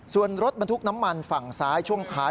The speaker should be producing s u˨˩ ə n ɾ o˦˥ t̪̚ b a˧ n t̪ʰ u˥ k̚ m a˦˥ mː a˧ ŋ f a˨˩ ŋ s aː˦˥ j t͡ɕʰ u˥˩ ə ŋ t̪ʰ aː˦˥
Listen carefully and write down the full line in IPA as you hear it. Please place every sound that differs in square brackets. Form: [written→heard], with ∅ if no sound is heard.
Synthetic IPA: s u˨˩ ə n ɾ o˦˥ t̪̚ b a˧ n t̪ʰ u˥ k̚ [m→n] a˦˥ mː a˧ [ŋ→n] f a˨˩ ŋ s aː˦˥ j t͡ɕʰ u˥˩ ə ŋ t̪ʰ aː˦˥

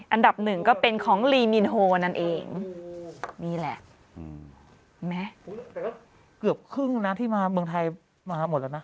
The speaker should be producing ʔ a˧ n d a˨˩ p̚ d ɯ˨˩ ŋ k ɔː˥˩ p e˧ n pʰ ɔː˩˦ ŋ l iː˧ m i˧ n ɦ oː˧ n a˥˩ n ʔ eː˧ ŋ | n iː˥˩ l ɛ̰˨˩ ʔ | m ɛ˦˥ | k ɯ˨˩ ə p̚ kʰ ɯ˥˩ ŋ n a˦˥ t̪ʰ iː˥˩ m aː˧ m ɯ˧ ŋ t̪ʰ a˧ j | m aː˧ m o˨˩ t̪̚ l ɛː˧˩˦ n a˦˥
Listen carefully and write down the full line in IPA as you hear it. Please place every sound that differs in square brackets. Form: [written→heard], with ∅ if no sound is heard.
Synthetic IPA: ʔ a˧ n d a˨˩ p̚ [d→n] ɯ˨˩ ŋ k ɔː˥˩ p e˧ n [pʰ→kʰ] ɔː˩˦ ŋ l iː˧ m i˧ n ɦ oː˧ n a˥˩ n ʔ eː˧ ŋ | n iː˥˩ l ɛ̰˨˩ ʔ | m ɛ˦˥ | k ɯ˨˩ ə p̚ kʰ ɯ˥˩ ŋ n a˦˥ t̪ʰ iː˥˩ m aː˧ m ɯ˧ ŋ t̪ʰ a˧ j | m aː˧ m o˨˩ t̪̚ l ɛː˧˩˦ n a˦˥

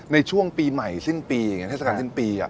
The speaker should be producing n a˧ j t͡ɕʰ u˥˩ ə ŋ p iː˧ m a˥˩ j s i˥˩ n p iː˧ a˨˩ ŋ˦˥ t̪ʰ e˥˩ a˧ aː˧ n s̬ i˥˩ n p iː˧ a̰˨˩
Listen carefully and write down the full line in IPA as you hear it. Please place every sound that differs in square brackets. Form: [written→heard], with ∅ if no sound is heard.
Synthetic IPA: n a˧ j t͡ɕʰ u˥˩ ə ŋ p iː˧ m [a˥˩→a˨˩] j s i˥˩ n p iː˧ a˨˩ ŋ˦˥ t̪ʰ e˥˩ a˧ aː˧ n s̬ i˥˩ n p iː˧ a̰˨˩

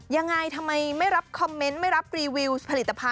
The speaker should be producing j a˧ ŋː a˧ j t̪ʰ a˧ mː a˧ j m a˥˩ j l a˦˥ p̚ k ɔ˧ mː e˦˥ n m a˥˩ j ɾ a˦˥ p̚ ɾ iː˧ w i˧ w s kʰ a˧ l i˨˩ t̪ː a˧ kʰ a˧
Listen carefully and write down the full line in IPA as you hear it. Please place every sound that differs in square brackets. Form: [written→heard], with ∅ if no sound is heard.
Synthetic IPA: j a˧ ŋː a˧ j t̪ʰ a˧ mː a˧ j m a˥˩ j [l→ɾ] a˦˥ p̚ [k→kʰ] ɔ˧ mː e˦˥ n m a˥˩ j ɾ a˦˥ p̚ ɾ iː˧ w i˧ w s [kʰ→pʰ] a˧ l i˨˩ t̪ː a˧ [kʰ→pʰ] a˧

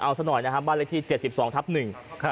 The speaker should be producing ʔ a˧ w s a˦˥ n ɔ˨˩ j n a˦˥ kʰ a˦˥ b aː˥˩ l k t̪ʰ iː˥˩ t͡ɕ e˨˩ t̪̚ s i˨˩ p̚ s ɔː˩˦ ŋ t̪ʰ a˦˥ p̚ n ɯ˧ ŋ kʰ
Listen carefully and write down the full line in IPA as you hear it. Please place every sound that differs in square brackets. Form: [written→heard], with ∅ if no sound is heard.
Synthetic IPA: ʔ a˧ w s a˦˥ n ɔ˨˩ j n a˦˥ kʰ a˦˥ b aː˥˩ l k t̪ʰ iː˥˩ t͡ɕ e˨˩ t̪̚ s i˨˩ p̚ s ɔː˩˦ ŋ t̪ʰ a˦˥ p̚ n [ɯ˧→ɯ˨˩] ŋ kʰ

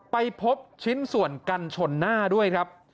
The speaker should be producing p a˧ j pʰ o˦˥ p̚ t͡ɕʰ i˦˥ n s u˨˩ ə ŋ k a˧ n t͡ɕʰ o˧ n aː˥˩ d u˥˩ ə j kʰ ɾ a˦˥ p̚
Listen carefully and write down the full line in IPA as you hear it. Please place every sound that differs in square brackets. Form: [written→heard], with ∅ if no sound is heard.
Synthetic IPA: p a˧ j pʰ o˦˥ p̚ t͡ɕʰ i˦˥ n s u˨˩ ə [ŋ→n] k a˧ n t͡ɕʰ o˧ [n→nː] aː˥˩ d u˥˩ ə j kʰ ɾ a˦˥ p̚

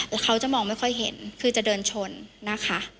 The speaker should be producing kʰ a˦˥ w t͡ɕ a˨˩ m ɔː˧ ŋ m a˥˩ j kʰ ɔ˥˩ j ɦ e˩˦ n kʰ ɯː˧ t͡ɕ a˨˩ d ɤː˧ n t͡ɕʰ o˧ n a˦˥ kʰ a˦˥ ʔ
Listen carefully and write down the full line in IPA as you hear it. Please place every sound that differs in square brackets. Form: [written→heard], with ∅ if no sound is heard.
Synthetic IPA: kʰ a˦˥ w t͡ɕ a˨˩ m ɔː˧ ŋ m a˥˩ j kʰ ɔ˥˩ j ɦ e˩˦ n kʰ ɯː˧ t͡ɕ a˨˩ d ɤː˧ n t͡ɕʰ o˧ [n→nː] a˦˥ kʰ a˦˥ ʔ

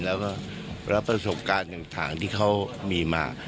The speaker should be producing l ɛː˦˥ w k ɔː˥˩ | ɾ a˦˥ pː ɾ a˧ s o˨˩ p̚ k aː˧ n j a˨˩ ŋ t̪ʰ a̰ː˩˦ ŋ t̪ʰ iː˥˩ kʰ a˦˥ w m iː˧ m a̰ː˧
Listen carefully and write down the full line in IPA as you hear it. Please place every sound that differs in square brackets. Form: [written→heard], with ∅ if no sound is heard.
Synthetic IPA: l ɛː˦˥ w k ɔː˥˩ | ɾ a˦˥ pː ɾ a˧ s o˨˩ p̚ k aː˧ n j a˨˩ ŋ t̪ʰ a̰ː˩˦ ŋ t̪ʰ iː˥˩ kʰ a˦˥ w m iː˧ m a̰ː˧

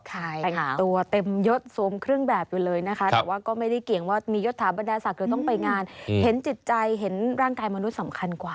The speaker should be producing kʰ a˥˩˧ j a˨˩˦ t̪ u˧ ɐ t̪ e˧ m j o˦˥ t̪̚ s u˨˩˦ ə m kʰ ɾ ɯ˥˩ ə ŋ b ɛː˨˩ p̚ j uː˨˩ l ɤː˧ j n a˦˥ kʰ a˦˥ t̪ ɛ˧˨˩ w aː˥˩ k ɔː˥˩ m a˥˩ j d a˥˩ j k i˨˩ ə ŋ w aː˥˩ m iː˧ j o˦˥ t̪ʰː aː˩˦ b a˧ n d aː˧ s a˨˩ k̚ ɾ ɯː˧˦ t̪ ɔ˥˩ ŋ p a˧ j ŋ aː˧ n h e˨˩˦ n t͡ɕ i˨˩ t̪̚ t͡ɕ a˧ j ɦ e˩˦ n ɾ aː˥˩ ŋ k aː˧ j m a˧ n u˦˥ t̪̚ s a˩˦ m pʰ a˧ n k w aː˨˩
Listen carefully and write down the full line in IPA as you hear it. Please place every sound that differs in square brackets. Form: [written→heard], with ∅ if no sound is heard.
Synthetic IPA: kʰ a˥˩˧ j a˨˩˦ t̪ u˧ ɐ t̪ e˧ m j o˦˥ t̪̚ s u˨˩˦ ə m kʰ ɾ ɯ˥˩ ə ŋ b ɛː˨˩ p̚ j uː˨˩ l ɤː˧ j n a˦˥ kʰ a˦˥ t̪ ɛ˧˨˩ w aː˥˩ k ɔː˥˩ m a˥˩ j d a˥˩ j k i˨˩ ə ŋ w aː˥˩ m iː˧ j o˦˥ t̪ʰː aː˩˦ b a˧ n d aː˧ s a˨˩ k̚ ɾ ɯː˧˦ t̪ ɔ˥˩ ŋ p a˧ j ŋ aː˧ n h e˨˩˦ n t͡ɕ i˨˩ t̪̚ t͡ɕ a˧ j ɦ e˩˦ n ɾ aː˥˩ ŋ k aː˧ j m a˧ n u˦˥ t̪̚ s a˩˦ m [pʰ→kʰ] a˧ n k w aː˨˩

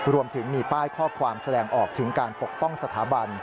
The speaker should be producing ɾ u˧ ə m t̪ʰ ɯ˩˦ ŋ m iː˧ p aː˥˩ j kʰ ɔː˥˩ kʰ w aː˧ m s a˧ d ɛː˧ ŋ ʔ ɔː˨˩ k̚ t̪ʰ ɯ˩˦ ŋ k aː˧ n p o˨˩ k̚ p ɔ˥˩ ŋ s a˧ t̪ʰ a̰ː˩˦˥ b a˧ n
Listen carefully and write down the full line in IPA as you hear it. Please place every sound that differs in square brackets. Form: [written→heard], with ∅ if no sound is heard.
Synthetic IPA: ɾ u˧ ə m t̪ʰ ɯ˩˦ ŋ m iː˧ p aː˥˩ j kʰ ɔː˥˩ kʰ w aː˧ m s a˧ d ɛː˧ ŋ ʔ ɔː˨˩ k̚ t̪ʰ ɯ˩˦ ŋ k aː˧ n p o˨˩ k̚ p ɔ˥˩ ŋ s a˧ t̪ʰ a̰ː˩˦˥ b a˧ n

